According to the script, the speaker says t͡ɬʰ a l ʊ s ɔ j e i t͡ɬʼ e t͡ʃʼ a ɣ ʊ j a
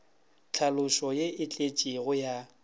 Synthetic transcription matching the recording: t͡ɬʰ a l ʊ ʃ ɔ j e ɪ t͡ɬʼ e t͡ʃʼ i ɣ ʊ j a